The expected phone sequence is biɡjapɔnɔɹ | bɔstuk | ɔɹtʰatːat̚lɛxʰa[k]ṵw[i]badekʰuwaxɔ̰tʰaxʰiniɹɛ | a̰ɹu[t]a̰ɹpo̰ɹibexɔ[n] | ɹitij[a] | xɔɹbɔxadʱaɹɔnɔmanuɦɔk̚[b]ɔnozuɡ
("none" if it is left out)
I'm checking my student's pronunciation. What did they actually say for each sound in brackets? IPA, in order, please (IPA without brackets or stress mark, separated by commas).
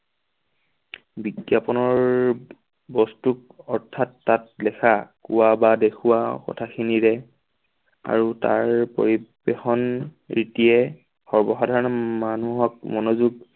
k, a, t, n, ɛ, m